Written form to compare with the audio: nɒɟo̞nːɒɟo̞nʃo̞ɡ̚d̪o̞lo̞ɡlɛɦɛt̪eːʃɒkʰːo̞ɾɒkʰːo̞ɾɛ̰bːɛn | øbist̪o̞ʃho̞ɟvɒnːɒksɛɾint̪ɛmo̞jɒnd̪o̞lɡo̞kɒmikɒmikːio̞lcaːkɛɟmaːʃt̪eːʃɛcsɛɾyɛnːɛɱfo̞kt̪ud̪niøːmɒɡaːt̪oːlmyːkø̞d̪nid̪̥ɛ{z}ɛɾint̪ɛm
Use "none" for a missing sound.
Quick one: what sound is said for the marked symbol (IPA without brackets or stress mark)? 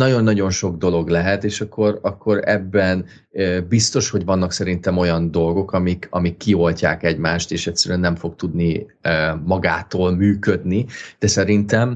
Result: s